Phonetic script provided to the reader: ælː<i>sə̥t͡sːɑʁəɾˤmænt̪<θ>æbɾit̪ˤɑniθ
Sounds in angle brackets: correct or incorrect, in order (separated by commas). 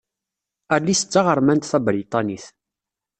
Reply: correct, correct